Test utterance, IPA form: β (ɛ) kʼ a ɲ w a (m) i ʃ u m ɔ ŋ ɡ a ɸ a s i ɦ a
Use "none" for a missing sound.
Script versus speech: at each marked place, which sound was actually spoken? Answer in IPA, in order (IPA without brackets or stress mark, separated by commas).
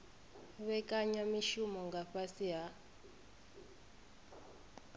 ɛ, m